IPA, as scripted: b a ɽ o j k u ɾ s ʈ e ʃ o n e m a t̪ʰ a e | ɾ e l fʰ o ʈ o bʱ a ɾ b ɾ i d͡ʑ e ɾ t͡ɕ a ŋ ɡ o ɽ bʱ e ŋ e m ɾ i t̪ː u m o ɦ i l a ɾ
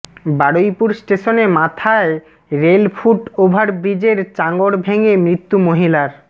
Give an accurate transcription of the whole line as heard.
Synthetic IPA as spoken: b a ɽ o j p u ɾ s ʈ e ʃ o n e m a t̪ʰ a e | ɾ e l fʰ u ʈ o bʱ a ɾ b ɾ i d͡ʑ e ɾ t͡ɕ a ŋ ɡ o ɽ bʱ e ŋ e m ɾ i t̪ː u m o ɦ i l a ɾ

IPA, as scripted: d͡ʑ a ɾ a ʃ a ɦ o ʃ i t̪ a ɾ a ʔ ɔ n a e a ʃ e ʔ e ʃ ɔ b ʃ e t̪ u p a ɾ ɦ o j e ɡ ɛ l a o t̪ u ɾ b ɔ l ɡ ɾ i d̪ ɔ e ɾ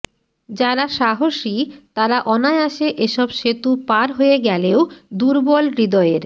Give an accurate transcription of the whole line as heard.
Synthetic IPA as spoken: d͡ʑ a ɾ a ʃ a ɦ o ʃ i t̪ a ɾ a ʔ ɔ n a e a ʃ e ʔ e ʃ ɔ b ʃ e t̪ u p a ɾ ɦ o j e ɡ ɛ l e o d̪ u ɾ b ɔ l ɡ ɾ i d̪ ɔ e ɾ

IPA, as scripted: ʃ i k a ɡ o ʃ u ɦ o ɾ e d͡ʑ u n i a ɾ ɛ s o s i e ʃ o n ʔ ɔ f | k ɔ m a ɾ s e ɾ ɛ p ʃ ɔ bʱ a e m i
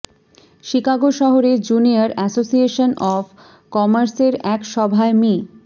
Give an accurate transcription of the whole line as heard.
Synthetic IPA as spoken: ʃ i k a ɡ o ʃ ɔ ɦ o ɾ e d͡ʑ u n i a ɾ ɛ s o s i e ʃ o n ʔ ɔ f | k ɔ m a ɾ s e ɾ ɛ k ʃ ɔ bʱ a e m i

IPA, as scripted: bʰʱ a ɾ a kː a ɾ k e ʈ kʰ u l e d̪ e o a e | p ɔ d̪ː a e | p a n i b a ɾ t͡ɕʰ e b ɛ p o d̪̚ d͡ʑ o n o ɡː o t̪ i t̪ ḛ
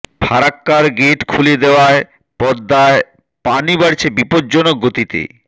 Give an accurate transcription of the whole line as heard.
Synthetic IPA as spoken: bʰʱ a ɾ a kː a ɾ ɡ e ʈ kʰ u l e d̪ e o a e | p ɔ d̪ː a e | p a n i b a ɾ t͡ɕʰ e b i p o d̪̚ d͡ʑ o n o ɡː o t̪ i t̪ ḛ

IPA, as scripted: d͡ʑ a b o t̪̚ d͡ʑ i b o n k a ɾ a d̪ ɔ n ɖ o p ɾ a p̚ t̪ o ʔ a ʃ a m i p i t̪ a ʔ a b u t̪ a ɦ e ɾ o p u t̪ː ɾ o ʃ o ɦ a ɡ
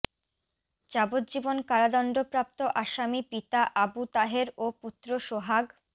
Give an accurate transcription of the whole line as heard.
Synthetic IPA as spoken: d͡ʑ a b o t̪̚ d͡ʑ i b o n k a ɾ a d̪ ɔ n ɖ o p ɾ a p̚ t̪ o ʔ a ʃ a m i p i t̪ a ʔ a b u t̪ a ɦ e ɾ o p u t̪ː ɾ o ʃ o ɦ a ɡ

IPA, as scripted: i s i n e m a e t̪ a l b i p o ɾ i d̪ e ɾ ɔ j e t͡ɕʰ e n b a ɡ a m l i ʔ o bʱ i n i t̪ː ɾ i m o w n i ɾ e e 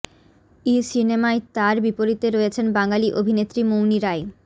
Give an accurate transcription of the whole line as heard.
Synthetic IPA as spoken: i s i n e m a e t̪ a ɾ b i p o ɾ i t̪ e ɾ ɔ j e t͡ɕʰ e n b a ŋ a l i ʔ o bʱ i n e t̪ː ɾ i m o w n i ɾ a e

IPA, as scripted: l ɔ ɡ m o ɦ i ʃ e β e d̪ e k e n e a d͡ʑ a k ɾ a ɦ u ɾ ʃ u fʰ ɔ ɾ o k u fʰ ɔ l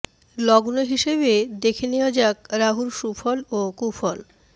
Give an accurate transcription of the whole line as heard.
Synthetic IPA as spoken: l ɔ ɡ n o ɦ i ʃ e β e d̪ e kʰ e n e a d͡ʑ a k ɾ a ɦ u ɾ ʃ u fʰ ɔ l o k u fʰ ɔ l

